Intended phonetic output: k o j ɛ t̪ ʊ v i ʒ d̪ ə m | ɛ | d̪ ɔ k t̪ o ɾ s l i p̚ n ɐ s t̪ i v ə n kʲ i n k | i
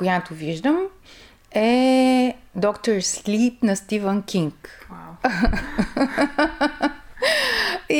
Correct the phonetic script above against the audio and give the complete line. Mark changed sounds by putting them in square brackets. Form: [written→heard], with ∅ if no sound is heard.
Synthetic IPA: k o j [ɛ→a] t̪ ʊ v i ʒ d̪ ə m | ɛ | d̪ ɔ k t̪ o ɾ s l i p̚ n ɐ s t̪ i v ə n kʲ i [n→ŋ] k | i